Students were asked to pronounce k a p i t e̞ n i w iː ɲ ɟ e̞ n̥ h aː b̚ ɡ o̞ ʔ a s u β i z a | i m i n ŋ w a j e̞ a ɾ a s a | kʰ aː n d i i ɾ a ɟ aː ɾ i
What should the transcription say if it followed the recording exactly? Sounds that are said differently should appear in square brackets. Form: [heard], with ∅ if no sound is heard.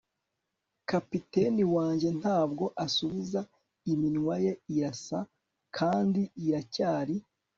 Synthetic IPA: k a p i t e̞ n i w [aː] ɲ ɟ e̞ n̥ h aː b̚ ɡ o̞ ʔ a s u β i z a | i m i n ŋ w a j e̞ [i] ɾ a s a | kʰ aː n d i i ɾ a [c] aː ɾ i